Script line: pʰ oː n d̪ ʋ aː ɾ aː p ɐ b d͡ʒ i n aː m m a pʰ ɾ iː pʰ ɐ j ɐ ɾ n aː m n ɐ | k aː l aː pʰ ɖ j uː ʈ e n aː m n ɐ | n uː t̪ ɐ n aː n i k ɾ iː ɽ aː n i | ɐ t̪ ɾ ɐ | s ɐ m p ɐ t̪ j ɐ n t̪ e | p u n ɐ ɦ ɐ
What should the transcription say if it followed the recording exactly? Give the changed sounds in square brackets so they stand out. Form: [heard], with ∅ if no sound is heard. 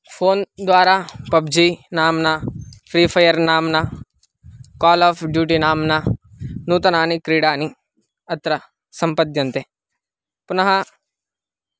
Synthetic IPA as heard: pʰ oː n d̪ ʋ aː ɾ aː p ɐ b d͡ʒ i n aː m [n] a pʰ ɾ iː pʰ ɐ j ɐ ɾ n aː m n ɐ | k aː l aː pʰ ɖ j uː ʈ [i] n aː m n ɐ | n uː t̪ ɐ n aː n i k ɾ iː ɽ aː n i | ɐ t̪ ɾ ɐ | s ɐ m p ɐ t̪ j ɐ n t̪ e | p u n ɐ ɦ ɐ